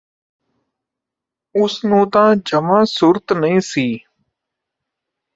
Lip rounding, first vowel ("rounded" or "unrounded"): rounded